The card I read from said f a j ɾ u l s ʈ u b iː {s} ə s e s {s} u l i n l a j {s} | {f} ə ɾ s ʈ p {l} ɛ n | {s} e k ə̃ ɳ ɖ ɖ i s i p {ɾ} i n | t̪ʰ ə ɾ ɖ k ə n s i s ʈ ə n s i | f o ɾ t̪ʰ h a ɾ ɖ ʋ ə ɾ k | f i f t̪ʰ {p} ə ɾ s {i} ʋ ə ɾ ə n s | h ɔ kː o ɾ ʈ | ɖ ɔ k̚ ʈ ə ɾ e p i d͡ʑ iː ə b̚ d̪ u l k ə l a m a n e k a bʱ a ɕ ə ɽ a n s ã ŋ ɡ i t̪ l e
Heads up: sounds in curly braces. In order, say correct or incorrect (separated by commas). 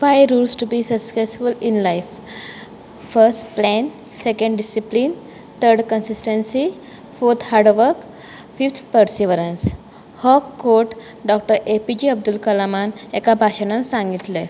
correct, incorrect, incorrect, correct, correct, correct, incorrect, correct, correct